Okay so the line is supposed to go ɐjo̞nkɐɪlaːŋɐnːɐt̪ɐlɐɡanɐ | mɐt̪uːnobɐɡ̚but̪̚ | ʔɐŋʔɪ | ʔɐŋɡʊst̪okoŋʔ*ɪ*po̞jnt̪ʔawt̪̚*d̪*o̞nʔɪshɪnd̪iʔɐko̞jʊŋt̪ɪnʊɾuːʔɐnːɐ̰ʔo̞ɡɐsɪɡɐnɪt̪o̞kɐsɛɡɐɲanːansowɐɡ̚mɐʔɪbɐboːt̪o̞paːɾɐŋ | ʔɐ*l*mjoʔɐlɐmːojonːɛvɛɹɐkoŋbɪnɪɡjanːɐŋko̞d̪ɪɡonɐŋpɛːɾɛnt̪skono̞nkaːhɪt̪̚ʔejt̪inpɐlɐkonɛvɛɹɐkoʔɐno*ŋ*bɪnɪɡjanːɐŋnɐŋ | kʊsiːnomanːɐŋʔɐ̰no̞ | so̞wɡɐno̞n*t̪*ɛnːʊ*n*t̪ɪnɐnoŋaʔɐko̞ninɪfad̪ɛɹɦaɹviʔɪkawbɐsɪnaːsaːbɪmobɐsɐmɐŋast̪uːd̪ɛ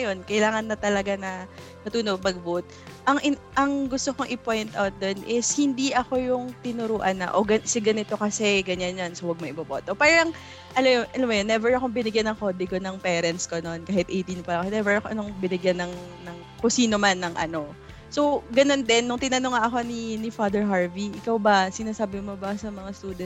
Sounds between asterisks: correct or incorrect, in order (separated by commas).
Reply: correct, correct, correct, correct, incorrect, incorrect